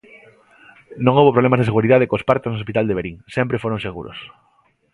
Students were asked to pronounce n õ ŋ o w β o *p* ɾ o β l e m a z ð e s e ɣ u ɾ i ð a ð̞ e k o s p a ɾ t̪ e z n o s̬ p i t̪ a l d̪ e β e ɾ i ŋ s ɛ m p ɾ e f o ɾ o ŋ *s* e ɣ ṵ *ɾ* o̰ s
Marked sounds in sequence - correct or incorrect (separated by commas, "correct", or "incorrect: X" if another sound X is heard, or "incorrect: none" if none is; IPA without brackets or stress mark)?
correct, correct, correct